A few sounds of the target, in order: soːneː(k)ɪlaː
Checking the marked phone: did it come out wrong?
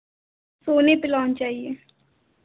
yes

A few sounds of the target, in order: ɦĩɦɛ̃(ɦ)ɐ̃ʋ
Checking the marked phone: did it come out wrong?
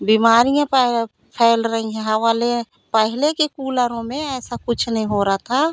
no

